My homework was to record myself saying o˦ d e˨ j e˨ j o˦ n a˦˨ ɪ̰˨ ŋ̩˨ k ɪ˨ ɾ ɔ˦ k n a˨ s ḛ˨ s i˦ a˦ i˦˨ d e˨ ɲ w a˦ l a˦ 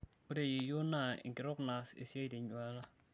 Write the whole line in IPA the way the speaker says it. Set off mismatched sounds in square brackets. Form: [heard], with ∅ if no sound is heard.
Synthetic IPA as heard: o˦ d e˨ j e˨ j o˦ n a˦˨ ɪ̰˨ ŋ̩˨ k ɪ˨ ɾ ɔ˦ k n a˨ s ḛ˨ s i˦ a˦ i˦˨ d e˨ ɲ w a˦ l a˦